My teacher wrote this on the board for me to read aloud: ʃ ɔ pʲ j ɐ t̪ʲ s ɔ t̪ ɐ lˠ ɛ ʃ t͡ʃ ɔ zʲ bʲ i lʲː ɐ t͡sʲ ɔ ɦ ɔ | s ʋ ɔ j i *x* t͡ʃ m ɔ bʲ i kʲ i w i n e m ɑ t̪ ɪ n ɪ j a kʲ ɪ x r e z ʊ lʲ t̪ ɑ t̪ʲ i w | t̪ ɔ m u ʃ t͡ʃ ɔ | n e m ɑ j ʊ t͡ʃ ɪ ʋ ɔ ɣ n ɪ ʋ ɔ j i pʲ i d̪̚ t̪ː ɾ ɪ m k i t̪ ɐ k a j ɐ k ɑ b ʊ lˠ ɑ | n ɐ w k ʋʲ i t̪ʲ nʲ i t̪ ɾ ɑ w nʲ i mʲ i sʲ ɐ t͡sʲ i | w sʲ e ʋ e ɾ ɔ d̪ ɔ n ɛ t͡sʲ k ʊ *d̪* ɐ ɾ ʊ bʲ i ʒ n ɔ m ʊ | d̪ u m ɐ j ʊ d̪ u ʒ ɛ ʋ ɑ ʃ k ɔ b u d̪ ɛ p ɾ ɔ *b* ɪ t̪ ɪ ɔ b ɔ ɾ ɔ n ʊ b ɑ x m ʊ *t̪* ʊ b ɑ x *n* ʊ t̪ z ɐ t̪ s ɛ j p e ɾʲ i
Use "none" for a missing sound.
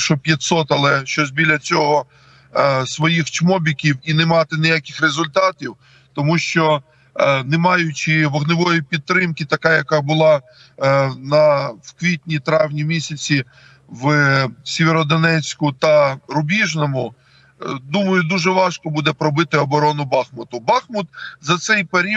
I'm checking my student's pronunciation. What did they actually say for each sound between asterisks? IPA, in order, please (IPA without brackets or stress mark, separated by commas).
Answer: x, t̪, b, t̪, m